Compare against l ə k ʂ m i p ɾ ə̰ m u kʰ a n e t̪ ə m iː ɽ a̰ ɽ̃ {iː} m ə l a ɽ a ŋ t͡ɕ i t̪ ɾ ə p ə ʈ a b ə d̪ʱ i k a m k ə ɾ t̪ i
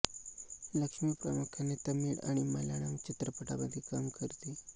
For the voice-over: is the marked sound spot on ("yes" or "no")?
no